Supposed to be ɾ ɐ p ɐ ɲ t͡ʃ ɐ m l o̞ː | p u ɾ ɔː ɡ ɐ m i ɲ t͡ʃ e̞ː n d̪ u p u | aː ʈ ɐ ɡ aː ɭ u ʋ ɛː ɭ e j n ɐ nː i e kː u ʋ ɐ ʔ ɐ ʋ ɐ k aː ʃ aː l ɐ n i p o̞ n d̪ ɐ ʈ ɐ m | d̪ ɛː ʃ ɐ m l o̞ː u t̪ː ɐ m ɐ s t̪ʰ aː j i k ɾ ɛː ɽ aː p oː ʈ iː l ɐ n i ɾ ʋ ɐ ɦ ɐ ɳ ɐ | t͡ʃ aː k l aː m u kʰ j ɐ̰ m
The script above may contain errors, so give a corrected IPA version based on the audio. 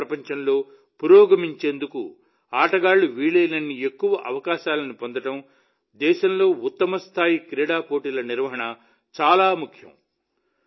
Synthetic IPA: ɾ ɐ p ɐ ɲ t͡ʃ ɐ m l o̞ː | p u ɾ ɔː ɡ ɐ m i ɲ t͡ʃ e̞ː n d̪ u k u | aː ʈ ɐ ɡ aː ɭ u ʋ iː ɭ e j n ɐ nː i e kː u ʋ ɐ ʔ ɐ ʋ ɐ k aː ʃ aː l ɐ n i p o̞ n d̪ ɐ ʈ ɐ m | d̪ ɛː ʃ ɐ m l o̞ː u t̪ː ɐ m ɐ s t̪ʰ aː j i k ɾ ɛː ɽ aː p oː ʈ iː l ɐ n i ɾ ʋ ɐ ɦ ɐ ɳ ɐ | t͡ʃ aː l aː m u kʰ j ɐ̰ m